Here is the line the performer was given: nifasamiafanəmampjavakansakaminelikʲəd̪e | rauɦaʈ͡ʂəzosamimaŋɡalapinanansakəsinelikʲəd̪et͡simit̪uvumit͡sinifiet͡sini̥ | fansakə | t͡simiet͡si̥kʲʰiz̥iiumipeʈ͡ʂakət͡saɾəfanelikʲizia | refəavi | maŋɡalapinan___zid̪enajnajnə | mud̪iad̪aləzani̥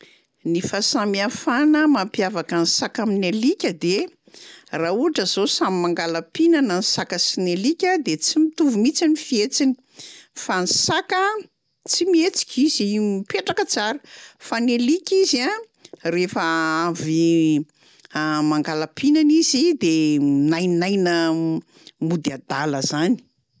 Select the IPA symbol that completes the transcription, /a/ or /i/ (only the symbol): i